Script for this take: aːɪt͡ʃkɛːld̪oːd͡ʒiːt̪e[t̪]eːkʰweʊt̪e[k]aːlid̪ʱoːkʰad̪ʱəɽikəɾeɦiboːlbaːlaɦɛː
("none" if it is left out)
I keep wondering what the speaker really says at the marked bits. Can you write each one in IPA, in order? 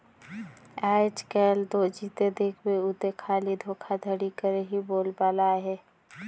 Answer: d̪, kʰ

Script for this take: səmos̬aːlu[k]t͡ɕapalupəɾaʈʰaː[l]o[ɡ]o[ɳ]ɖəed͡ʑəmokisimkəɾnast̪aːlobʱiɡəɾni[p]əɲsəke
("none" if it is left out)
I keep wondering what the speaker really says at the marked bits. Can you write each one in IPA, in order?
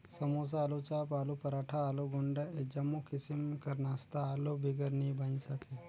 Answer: none, l, ɡ, ɳ, b

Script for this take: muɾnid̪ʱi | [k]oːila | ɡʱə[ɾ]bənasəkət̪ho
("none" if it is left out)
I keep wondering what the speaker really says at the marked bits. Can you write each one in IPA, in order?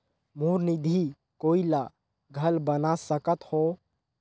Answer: k, l

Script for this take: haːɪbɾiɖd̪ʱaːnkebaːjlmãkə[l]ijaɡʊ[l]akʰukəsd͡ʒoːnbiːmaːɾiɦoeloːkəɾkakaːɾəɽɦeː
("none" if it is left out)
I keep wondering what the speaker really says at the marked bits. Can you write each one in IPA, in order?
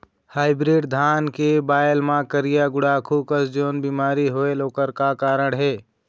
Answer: ɾ, ɽ

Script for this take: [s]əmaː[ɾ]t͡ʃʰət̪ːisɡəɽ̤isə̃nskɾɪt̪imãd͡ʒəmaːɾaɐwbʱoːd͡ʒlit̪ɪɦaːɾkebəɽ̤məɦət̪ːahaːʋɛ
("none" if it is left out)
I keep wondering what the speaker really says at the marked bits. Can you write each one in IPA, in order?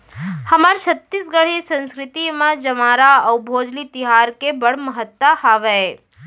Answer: h, ɾ

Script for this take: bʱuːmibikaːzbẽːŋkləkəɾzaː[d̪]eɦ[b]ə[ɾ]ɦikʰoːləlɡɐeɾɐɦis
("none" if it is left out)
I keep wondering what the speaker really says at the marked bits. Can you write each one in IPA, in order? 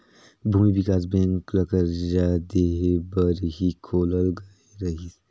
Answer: d̪, b, ɾ

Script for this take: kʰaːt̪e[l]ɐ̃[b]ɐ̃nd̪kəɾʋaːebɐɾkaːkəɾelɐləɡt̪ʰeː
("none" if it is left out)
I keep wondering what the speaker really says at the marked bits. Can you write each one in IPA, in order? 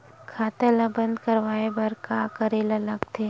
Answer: l, b

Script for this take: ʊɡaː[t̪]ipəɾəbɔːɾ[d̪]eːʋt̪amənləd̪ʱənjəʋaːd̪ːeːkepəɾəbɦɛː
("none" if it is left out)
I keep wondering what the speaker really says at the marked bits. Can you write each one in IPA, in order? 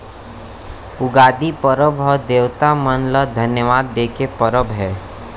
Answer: d̪, d̪

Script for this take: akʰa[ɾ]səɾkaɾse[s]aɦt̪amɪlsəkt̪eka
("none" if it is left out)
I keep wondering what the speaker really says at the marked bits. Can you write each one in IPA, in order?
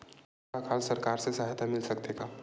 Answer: l, s

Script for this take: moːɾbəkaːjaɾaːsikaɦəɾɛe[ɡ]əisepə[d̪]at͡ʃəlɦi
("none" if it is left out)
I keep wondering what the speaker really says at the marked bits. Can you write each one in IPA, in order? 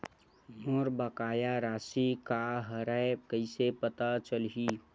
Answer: k, t̪

